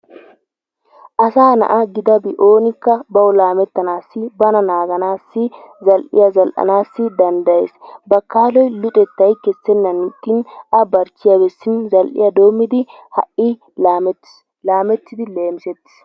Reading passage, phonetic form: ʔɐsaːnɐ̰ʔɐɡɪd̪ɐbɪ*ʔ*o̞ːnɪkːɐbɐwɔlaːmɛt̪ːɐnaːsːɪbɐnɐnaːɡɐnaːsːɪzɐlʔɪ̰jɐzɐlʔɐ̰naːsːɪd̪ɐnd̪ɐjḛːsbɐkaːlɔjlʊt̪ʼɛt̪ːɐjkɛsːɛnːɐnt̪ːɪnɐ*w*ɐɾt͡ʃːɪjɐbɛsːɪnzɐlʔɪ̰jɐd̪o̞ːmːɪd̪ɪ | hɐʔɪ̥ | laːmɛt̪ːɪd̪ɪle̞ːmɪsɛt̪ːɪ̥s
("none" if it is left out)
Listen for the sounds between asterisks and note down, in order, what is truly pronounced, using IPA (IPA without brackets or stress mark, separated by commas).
ʔ, b